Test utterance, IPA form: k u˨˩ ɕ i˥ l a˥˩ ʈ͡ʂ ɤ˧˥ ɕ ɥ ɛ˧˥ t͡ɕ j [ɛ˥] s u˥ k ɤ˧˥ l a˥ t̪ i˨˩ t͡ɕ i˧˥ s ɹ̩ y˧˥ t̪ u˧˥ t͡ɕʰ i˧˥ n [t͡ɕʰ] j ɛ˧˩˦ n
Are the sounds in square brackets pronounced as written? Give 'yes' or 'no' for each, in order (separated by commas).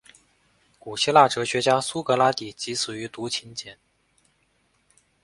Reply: no, no